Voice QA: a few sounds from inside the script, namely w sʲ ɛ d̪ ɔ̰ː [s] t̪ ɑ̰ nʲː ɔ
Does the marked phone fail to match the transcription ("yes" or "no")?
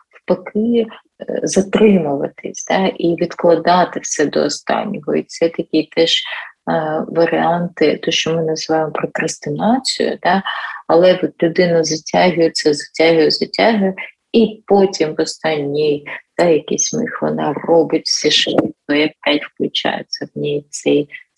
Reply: no